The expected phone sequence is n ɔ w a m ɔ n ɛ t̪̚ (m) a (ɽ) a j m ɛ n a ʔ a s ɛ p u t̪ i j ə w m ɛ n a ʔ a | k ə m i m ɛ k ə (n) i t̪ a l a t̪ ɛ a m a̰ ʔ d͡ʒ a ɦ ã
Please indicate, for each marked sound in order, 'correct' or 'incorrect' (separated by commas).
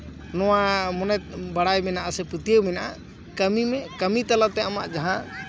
incorrect, correct, incorrect